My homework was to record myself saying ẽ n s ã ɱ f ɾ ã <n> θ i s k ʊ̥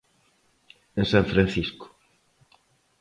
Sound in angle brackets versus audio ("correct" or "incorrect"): correct